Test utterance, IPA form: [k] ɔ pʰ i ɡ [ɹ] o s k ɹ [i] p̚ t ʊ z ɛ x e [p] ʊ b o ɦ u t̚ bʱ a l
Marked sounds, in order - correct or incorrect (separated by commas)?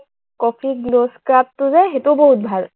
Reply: correct, incorrect, incorrect, incorrect